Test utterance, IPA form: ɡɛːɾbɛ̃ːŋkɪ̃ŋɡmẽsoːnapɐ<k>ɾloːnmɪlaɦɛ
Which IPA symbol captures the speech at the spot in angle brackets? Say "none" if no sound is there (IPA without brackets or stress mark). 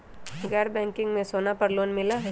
none